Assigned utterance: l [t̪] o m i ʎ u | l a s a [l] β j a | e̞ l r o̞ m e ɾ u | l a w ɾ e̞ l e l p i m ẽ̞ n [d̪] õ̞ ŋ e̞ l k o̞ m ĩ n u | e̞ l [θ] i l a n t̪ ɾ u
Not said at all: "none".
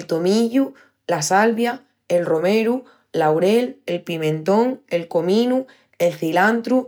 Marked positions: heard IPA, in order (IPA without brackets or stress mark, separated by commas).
t̪, l, t̪, θ